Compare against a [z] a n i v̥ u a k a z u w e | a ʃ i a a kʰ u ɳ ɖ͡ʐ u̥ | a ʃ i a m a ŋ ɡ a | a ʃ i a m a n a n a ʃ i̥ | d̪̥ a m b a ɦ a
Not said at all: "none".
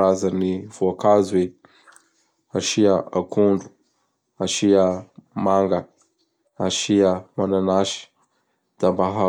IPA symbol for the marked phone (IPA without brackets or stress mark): z